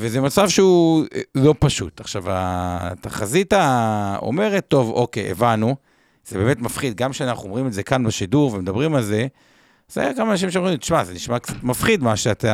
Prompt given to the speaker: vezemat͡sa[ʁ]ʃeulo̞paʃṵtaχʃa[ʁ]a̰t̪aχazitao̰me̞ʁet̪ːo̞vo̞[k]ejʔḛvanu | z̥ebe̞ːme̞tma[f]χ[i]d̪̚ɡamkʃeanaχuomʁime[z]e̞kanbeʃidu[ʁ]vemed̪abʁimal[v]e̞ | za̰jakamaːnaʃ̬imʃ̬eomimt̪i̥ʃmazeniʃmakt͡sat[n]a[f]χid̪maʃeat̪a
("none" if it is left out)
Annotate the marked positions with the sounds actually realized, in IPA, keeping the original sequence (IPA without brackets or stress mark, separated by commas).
v, v, k, f, i, z, ʁ, z, m, f